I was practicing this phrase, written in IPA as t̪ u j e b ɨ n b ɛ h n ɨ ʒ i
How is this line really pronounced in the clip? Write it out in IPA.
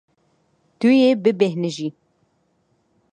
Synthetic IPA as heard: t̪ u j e b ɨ b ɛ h n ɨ ʒ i